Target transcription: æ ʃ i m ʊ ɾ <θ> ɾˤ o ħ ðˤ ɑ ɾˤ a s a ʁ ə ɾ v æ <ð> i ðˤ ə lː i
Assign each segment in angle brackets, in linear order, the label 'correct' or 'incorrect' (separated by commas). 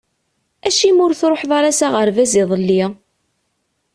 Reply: correct, incorrect